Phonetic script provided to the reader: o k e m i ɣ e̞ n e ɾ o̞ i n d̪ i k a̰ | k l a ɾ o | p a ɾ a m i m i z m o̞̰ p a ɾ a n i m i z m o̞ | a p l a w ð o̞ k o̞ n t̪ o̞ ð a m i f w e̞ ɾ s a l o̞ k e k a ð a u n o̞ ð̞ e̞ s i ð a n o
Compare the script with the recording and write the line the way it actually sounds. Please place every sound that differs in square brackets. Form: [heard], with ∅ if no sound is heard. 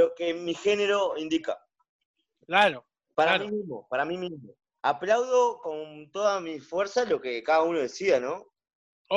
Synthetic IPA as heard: o k e m i [x] e̞ n e ɾ o̞ i n d̪ i k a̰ | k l a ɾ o | p a ɾ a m i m i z m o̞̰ p a ɾ a [m] i m i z m o̞ | a p l a w ð o̞ k o̞ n t̪ o̞ ð a m i f w e̞ ɾ s a l o̞ k e k a ð a u n o̞ ð̞ e̞ s i ð a n o